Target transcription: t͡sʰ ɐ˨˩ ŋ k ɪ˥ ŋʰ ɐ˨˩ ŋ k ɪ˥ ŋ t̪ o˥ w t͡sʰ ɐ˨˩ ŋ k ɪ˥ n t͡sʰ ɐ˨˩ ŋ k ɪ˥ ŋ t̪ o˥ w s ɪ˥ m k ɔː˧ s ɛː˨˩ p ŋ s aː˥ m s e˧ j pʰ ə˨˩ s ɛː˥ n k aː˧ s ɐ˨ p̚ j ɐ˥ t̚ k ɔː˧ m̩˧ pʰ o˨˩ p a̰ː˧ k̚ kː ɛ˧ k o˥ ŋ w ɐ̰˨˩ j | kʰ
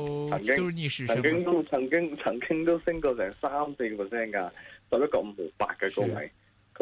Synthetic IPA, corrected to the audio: t͡sʰ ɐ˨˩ ŋ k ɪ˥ ŋʰ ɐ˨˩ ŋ k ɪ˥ ŋ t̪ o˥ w t͡sʰ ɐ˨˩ ŋ k ɪ˥ ŋ t͡sʰ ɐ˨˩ ŋ k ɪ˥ ŋ t̪ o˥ w s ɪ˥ ŋ k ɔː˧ s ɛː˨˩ ŋ s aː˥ m s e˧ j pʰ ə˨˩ s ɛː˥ n k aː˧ s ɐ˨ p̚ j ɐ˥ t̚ k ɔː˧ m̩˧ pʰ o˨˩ p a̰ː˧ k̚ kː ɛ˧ k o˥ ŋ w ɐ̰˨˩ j | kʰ